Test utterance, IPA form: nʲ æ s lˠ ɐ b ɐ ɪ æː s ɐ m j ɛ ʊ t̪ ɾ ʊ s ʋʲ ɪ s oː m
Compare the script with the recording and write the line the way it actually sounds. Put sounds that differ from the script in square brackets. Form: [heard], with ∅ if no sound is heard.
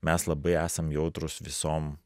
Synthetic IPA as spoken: [mʲ] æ s lˠ ɐ b ɐ ɪ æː s ɐ m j ɛ ʊ t̪ ɾ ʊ s ʋʲ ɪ s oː m